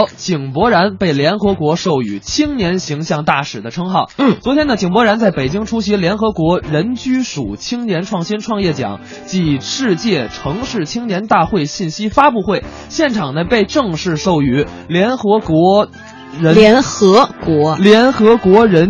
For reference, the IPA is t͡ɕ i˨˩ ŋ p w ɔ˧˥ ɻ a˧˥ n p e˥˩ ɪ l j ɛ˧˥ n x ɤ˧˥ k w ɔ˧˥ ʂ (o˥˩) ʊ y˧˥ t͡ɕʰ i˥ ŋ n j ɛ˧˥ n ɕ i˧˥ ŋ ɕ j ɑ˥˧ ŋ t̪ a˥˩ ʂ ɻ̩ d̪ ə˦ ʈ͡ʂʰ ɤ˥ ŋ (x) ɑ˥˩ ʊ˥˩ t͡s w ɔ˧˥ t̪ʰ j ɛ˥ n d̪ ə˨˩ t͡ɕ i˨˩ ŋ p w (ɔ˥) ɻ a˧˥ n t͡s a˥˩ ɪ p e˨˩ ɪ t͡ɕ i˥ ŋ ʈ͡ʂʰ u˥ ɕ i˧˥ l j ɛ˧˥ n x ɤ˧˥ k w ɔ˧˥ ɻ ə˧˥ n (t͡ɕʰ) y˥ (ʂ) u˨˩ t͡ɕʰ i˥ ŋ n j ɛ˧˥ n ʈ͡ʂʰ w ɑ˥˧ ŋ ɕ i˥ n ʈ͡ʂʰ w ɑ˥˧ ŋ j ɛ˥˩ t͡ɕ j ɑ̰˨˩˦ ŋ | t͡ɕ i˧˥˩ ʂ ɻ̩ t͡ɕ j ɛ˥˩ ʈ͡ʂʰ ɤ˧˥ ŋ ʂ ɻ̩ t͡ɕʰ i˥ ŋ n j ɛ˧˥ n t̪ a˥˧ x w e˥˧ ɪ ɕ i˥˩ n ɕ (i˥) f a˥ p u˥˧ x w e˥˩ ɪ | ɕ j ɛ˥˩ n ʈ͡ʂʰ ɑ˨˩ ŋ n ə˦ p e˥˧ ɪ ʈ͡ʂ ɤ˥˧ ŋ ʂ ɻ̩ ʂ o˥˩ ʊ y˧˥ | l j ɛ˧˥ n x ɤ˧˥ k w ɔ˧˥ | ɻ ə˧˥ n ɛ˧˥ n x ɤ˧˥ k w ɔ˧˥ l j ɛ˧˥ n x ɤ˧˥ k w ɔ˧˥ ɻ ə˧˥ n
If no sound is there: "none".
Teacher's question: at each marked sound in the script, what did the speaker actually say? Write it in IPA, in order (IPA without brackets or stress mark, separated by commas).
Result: o˥˩, x, ɔ˧˥, t͡ɕ, ʂ, i˥